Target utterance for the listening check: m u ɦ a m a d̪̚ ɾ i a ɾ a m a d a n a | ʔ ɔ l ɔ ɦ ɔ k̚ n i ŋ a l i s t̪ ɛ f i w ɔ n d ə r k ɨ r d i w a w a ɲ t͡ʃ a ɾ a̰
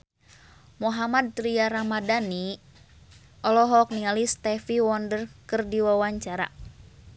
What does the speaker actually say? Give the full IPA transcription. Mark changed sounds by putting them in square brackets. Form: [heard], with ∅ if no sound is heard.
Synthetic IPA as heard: m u ɦ a m a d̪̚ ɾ i a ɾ a m a d a n [i] | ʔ ɔ l ɔ ɦ ɔ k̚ n i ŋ a l i s t̪ ɛ f i w ɔ n d ə r k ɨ r d i w a w a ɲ t͡ʃ a ɾ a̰

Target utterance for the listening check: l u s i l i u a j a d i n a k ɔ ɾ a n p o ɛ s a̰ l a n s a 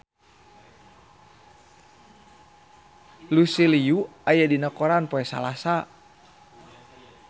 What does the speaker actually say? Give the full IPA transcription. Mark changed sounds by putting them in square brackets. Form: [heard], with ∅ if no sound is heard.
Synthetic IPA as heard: l u s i l i u a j a d i n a k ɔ ɾ a n p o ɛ s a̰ l a [∅] s a

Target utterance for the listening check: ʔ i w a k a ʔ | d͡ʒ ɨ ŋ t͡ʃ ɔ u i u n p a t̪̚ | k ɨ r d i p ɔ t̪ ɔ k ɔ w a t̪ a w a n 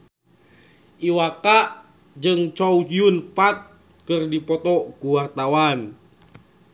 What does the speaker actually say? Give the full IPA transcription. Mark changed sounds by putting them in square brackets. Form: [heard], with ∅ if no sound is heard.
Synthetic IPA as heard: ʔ i w a k a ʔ | d͡ʒ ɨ ŋ t͡ʃ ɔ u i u n p a t̪̚ | k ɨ r d i p ɔ t̪ ɔ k [u] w a t̪ a w a n

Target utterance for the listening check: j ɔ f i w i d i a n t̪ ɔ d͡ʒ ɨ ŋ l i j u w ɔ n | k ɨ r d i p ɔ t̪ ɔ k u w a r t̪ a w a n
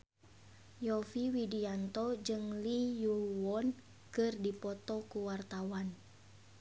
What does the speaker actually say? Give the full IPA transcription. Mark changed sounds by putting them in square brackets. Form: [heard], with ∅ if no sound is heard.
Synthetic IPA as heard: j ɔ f i w i d i a n t̪ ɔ d͡ʒ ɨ ŋ l i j u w ɔ n | k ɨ r d i p ɔ t̪ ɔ k u w a r t̪ a w a n

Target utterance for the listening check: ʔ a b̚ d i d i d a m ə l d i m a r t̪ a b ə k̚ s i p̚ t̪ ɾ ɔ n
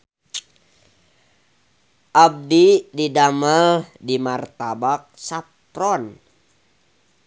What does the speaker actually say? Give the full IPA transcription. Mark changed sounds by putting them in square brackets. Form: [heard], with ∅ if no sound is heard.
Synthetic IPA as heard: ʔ a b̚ d i d i d a m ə l d i m a r t̪ a b [a] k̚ s [a] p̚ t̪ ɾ ɔ n

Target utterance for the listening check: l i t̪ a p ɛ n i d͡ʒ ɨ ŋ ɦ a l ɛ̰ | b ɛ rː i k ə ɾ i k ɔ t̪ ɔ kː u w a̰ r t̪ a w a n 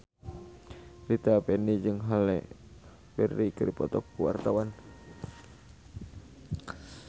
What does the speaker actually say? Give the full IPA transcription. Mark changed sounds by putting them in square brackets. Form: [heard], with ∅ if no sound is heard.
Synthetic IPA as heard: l i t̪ a p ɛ n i d͡ʒ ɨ ŋ ɦ a l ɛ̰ | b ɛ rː i k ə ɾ i [p] ɔ t̪ ɔ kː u w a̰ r t̪ a w a n

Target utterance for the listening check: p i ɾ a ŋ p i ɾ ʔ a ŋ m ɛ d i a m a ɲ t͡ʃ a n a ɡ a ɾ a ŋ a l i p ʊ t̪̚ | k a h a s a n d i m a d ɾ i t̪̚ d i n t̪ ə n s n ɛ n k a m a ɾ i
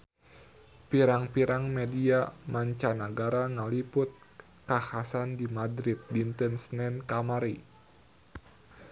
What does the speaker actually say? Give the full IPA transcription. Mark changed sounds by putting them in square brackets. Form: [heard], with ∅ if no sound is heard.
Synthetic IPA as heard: p i ɾ a ŋ p i ɾ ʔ a ŋ m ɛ d i a m a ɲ t͡ʃ a n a ɡ a ɾ a ŋ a l i p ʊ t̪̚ | k a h a s a n d i m a d ɾ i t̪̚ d i n t̪ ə n s n ɛ n k a m a ɾ i

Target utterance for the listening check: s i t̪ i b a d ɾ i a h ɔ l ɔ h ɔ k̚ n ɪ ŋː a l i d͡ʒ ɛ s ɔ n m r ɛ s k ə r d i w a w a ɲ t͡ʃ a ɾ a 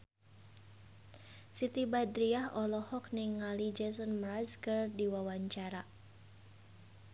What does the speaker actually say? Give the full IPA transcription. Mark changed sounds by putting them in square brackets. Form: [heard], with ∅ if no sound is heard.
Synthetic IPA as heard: s i t̪ i b a d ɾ i a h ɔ l ɔ h ɔ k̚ n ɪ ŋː a l i d͡ʒ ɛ s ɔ n m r [a] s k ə r d i w a w a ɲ t͡ʃ a ɾ a

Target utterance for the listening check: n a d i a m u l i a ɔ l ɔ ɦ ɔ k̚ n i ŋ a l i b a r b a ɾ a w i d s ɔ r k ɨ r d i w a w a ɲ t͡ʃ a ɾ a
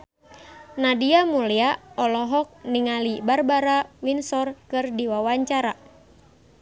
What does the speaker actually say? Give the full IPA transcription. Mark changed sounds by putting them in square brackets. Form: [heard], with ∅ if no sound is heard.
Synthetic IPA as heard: n a d i a m u l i a ɔ l ɔ ɦ ɔ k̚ n i ŋ a l i b a r b a ɾ a w i [n] s ɔ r k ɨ r d i w a w a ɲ t͡ʃ a ɾ a

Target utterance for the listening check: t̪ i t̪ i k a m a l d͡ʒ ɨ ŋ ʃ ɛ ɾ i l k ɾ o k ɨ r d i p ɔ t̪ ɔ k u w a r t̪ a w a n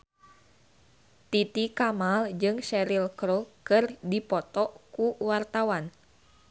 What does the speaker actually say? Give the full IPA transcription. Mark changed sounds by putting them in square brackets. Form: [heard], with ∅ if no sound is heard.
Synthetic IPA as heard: t̪ i t̪ i k a m a l d͡ʒ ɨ ŋ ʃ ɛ ɾ i l k ɾ o k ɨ r d i p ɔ t̪ ɔ k u w a r t̪ a w a n

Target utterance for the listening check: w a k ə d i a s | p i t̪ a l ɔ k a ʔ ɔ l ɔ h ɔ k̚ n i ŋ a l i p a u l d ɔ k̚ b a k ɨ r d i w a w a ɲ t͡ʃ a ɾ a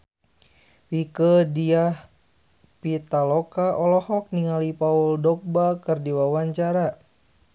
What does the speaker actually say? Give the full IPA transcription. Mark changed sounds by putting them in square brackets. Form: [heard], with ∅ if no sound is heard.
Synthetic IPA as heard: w [i] k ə d i a [h] | p i t̪ a l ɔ k a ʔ ɔ l ɔ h ɔ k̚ n i ŋ a l i p a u l d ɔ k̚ b a k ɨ r d i w a w a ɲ t͡ʃ a ɾ a

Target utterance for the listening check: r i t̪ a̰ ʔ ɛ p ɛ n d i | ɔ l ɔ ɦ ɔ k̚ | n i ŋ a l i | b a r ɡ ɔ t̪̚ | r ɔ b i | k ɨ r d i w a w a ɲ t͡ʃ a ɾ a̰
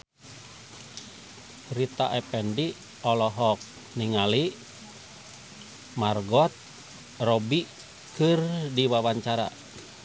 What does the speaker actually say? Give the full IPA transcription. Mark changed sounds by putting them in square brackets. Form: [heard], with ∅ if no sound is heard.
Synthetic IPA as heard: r i t̪ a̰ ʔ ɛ p ɛ n d i | ɔ l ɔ ɦ ɔ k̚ | n i ŋ a l i | [m] a r ɡ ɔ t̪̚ | r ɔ b i | k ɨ r d i w a w a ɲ t͡ʃ a ɾ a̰

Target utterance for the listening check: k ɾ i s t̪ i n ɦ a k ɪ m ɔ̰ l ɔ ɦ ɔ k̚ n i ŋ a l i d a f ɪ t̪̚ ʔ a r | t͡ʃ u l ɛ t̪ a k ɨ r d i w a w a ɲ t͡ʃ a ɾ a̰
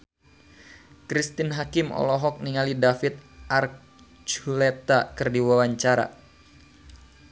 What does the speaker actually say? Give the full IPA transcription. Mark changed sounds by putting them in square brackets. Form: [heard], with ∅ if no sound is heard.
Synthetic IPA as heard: k ɾ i s t̪ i n ɦ a k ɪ m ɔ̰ l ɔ ɦ ɔ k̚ n i ŋ a l i d a f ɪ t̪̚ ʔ a r | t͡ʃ u l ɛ t̪ a k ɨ r d i w a w a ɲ t͡ʃ a ɾ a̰

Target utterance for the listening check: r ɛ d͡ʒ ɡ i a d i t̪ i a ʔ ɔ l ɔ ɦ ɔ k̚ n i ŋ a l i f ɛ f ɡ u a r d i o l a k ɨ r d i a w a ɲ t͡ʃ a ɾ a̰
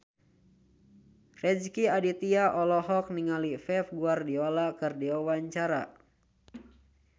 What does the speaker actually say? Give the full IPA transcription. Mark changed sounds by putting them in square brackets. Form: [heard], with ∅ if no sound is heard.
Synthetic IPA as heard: r ɛ d͡ʒ [k] i a d i t̪ i a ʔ ɔ l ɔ ɦ ɔ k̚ n i ŋ a l i f ɛ f ɡ u a r d i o l a k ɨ r d i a w a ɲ t͡ʃ a ɾ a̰

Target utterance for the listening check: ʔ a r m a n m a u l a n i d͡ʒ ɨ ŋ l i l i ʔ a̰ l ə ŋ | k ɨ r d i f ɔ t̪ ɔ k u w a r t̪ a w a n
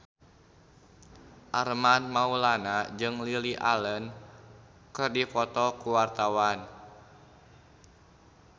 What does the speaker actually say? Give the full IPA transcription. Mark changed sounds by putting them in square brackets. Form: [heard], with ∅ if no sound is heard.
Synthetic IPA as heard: ʔ a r m a n m a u l a n [a] d͡ʒ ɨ ŋ l i l i ʔ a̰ l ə [n] | k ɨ r d i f ɔ t̪ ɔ k u w a r t̪ a w a n

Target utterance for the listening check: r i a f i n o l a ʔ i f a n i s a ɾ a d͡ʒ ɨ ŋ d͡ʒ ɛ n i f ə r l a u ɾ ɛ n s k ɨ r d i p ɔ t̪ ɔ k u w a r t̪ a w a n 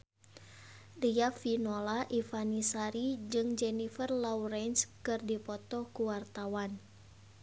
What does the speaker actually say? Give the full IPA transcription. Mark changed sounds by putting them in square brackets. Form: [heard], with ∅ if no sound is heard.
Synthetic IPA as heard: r i a f i n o l a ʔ i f a n i s a ɾ [i] d͡ʒ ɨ ŋ d͡ʒ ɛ n i f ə r l a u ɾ ɛ n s k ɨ r d i p ɔ t̪ ɔ k u w a r t̪ a w a n

